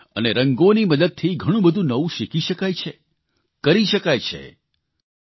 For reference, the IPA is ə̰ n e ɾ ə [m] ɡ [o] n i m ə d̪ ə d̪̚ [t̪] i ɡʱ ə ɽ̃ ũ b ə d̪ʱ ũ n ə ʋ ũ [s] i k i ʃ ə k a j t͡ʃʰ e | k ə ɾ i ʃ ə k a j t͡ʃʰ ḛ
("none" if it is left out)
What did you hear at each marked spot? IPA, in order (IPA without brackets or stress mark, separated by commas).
ŋ, o, t̪ʰ, ʃ